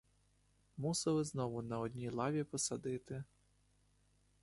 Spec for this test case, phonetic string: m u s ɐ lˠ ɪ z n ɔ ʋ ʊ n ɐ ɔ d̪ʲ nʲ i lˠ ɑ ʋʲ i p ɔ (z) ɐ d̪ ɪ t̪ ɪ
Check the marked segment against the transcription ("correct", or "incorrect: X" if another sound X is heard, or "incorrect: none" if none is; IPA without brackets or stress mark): incorrect: s